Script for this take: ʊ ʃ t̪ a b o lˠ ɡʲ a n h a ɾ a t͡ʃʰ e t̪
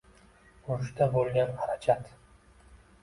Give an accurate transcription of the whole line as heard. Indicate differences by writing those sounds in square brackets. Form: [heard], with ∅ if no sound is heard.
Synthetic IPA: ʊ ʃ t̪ a b o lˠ ɡʲ a n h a ɾ a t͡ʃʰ [a] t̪